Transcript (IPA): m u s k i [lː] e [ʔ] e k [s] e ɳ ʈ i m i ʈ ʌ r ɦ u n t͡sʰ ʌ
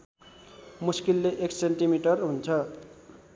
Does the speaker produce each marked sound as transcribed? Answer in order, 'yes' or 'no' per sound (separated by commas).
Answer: yes, yes, yes